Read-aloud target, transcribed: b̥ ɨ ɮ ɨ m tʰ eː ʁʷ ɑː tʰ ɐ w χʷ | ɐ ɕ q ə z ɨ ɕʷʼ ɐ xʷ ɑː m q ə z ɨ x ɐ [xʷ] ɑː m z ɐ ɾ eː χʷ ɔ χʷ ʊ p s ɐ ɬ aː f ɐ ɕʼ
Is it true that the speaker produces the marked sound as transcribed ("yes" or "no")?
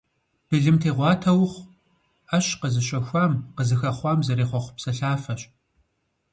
no